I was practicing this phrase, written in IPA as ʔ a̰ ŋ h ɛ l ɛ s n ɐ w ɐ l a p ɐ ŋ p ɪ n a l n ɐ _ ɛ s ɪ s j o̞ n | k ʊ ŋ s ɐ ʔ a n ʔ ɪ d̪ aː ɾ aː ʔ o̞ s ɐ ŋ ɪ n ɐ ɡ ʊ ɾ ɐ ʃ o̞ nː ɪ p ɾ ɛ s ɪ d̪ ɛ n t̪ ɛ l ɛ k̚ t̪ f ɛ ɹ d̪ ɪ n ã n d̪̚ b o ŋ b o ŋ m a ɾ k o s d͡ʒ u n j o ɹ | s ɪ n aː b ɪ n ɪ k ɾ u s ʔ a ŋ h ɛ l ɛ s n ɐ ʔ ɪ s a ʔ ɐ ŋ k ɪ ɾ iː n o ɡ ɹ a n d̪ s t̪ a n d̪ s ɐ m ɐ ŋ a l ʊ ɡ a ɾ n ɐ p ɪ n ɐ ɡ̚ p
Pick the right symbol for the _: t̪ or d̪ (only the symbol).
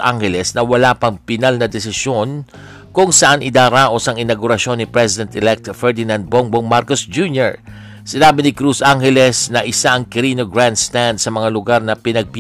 d̪